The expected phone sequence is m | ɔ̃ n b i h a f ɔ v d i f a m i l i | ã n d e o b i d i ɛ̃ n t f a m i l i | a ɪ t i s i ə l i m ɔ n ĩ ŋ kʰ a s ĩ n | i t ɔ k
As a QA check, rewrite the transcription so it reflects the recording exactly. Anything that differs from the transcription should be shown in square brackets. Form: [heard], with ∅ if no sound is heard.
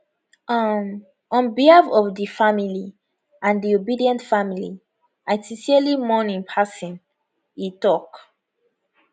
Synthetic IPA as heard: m | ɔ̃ n b i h a f ɔ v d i f a m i l i | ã n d [i] o b i d i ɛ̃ n t f a m i l i | a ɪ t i s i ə l i m ɔ n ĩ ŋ [pʰ] a s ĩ n | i t ɔ k

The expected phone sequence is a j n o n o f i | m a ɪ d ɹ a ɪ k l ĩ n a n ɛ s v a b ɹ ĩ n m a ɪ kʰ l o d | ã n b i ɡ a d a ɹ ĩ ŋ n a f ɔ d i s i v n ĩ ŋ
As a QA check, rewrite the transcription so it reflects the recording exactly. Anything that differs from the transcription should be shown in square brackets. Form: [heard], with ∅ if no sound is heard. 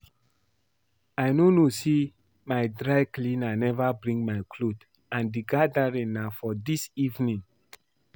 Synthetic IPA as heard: a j n o n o [s] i | m a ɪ d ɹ a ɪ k l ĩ n a n ɛ [∅] v a b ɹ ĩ [ŋ] m a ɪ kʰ l o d | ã n [d] i ɡ a d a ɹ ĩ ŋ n a f ɔ d i s i v n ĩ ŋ

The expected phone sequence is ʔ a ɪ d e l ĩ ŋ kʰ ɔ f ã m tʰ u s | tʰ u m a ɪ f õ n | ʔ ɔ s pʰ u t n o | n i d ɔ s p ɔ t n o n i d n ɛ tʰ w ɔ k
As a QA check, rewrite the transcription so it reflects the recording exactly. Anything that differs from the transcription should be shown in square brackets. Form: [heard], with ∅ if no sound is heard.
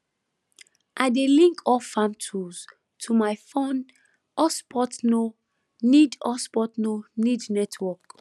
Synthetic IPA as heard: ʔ a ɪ d e l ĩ ŋ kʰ ɔ f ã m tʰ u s | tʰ u m a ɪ f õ n | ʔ ɔ s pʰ [ɔ] t n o | n i d ɔ s p ɔ t n o n i d n ɛ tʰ w ɔ k

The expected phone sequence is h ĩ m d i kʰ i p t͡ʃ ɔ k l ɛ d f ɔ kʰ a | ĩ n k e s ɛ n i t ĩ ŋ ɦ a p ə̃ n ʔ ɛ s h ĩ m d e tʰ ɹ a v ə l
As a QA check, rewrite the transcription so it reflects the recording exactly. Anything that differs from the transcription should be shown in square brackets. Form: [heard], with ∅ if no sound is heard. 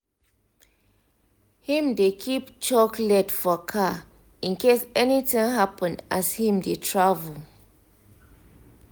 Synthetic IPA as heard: h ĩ m d [e] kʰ i p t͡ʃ ɔ k l ɛ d f ɔ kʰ a | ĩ n k e s ɛ n i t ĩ ŋ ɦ a p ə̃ n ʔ [a] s h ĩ m d e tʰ ɹ a v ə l

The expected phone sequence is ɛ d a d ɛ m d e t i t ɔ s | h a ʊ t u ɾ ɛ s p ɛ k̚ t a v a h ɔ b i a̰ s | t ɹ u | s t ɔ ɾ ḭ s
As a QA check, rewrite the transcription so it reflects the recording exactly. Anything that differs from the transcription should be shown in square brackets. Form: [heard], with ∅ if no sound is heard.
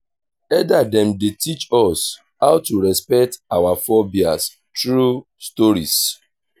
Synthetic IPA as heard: ɛ d a d ɛ m d e t i [t͡ʃ] ɔ s | h a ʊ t u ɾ ɛ s p ɛ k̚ t a [w] a [f] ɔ b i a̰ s | t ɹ u | s t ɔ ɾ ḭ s

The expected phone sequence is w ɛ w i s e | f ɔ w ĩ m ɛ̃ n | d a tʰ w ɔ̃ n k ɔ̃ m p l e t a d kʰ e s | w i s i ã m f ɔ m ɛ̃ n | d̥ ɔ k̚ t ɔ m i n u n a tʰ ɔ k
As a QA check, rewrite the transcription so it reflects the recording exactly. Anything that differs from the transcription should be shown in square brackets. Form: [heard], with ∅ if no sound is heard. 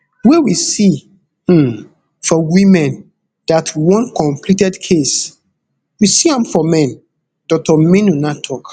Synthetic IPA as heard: w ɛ w i s [i] | f ɔ w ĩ m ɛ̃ n | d a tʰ w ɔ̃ n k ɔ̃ m p l [i] t [ɛ] d kʰ e s | w i s i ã m f ɔ m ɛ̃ n | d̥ ɔ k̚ t ɔ m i n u n a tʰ ɔ k

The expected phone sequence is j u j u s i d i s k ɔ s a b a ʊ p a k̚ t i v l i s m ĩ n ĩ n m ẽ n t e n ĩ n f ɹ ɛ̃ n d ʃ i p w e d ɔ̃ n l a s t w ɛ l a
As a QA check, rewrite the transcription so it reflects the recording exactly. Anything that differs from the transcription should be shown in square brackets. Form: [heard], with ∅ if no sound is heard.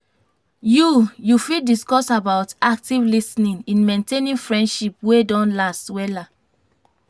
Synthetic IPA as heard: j u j u [f] i d i s k ɔ s a b a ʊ [t] a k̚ t i v l i s [n] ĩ n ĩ n m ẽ n t e n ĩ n f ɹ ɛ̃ n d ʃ i p w e d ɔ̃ n l a s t w ɛ l a

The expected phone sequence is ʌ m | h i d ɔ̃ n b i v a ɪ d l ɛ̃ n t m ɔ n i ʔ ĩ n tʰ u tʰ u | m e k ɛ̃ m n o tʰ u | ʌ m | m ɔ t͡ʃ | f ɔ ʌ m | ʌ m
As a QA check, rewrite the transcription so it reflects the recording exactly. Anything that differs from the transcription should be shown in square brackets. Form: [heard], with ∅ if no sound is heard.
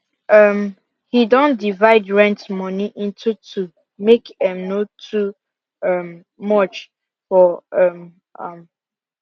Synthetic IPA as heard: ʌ m | h i d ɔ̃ n [d] i v a ɪ d [ɹ] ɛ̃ n t m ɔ n i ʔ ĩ n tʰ u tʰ u | m e k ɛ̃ m n o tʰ u | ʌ m | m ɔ t͡ʃ | f ɔ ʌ m | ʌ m

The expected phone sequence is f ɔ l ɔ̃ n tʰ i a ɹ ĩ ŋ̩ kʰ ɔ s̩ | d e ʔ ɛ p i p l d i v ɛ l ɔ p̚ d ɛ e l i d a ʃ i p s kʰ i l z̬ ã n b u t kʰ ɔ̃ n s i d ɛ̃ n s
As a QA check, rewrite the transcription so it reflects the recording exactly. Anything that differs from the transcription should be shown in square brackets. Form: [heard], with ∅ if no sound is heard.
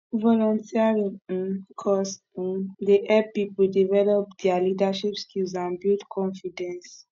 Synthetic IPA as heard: [v] ɔ l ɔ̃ n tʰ i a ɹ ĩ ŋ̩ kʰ ɔ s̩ | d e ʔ ɛ p i p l d i v ɛ l ɔ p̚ d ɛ [a] l i d a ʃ i p s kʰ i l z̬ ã n b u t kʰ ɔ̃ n [f] i d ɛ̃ n s

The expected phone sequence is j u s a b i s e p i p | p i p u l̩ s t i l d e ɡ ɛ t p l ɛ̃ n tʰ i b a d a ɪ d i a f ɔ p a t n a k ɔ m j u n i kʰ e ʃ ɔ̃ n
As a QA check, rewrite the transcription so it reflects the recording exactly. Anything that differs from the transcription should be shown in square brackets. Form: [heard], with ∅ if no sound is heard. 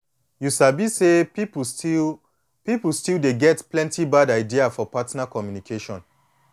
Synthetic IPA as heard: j u s a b i s e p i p | p i p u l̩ s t i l d e ɡ ɛ t p l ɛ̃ n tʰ i b a d a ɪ d i a f ɔ p a t n a k ɔ m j u n i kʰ e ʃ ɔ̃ n

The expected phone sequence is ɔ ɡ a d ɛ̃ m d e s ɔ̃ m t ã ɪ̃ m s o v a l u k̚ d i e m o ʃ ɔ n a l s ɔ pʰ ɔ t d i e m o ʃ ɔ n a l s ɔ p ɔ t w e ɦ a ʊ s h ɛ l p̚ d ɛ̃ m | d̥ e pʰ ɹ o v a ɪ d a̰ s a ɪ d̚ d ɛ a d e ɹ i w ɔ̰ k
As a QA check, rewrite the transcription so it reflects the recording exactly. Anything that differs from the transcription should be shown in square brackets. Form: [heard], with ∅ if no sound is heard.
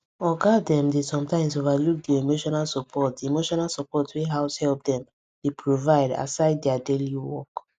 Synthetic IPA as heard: ɔ ɡ a d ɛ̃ m d e s ɔ̃ m t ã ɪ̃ m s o v a l u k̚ d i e m o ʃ ɔ n a l s ɔ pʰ ɔ t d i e m o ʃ ɔ n a l s ɔ p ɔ t w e ɦ a ʊ s h ɛ l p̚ d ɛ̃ m | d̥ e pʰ ɹ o v a ɪ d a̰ s a ɪ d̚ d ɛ a d e [l] i w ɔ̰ k

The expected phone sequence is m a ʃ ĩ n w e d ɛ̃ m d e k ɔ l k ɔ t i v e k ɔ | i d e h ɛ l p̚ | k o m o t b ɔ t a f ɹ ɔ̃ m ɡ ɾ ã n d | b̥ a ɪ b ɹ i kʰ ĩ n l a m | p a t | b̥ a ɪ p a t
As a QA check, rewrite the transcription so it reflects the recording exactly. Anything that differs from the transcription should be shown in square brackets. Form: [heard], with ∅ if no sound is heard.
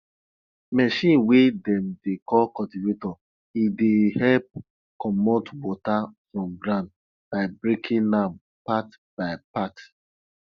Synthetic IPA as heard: m [ɛ] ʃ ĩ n w e d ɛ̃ m d e k ɔ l k ɔ t i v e [t] ɔ | i d e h ɛ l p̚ | k [ɔ] m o t [w] ɔ t a f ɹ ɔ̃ m ɡ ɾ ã n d | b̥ a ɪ b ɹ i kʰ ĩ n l a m | p a t | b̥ a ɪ p a t

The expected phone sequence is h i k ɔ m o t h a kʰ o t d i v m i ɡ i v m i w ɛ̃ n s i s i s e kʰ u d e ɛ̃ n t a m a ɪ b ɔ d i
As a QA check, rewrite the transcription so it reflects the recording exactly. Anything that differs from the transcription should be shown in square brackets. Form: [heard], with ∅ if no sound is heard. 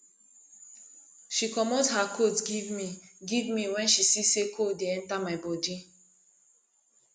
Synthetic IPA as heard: [ʃ] i k ɔ m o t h a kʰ o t [ɡ] i v m i ɡ i v m i w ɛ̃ n [ʃ] i s i s e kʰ [o] d e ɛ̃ n t a m a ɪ b ɔ d i

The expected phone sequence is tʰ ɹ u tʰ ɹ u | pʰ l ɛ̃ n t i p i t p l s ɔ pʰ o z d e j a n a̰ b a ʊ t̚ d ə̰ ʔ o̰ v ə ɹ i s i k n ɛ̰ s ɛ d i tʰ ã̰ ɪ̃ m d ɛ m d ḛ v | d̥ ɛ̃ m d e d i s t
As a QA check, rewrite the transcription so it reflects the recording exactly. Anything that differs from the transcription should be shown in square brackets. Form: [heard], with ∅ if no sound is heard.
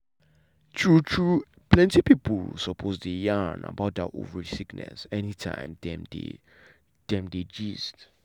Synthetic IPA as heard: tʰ ɹ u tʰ ɹ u | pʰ l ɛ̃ n t i p i [∅] p l s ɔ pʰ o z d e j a n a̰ b a ʊ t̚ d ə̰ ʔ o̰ v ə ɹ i s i k n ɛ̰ s ɛ [n] i tʰ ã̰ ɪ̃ m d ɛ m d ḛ [∅] | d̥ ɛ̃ m d e [d͡ʒ] i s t

